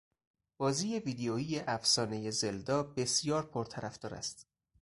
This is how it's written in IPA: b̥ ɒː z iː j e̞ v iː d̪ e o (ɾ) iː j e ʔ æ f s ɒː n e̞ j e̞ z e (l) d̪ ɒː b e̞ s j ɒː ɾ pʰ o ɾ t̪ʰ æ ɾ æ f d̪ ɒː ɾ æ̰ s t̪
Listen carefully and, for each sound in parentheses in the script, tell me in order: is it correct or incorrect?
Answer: incorrect, correct

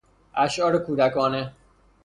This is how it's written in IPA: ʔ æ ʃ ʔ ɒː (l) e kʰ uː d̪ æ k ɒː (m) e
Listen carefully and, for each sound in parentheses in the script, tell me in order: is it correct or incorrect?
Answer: incorrect, incorrect

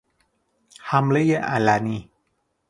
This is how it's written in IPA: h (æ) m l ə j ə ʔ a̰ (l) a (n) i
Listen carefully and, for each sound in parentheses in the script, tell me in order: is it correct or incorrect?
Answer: incorrect, correct, correct

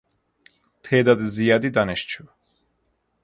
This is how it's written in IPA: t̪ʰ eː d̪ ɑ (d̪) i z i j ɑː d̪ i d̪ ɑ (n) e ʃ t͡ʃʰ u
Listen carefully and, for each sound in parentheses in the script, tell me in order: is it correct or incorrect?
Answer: correct, correct

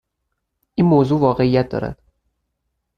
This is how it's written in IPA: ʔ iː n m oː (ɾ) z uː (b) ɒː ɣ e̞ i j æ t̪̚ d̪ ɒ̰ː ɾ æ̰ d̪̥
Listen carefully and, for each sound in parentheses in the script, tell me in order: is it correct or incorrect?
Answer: incorrect, incorrect

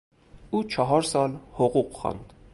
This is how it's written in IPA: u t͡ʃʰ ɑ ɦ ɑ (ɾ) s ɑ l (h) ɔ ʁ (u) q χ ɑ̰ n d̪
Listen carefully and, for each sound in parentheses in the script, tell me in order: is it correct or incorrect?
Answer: correct, correct, correct

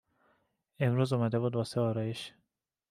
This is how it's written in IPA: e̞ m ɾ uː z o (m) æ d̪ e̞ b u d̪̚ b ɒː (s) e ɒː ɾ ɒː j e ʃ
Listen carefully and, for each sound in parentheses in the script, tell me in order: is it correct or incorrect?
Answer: correct, correct

